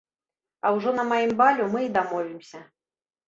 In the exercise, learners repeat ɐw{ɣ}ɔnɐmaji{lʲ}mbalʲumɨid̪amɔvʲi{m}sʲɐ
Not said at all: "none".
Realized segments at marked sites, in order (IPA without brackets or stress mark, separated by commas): ʐ, none, m